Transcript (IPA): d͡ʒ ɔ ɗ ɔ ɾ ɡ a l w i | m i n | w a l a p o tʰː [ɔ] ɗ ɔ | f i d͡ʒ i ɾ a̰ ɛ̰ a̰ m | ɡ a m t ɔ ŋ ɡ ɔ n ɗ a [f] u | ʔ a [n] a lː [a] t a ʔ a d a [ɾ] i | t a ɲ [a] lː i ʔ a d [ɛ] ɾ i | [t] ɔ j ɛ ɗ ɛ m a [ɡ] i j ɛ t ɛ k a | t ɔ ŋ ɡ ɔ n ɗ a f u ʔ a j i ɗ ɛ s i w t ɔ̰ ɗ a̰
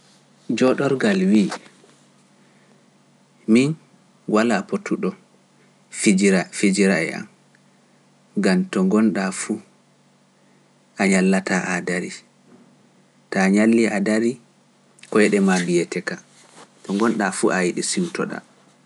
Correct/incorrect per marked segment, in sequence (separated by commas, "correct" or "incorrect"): incorrect, correct, incorrect, correct, correct, correct, incorrect, incorrect, incorrect